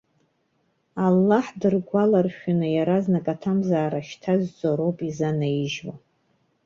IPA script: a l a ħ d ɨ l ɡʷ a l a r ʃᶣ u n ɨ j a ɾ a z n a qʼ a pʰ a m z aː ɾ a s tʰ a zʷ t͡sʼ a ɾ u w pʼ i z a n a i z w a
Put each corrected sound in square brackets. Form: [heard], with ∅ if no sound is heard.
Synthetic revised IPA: a [lː] a ħ d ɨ [r] ɡʷ a l a r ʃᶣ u n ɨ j a ɾ a z n a [kʼ] a [tʰ] a m z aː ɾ a [ʃ] tʰ a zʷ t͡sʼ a ɾ [o] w pʼ i z a n a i [ʒ] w a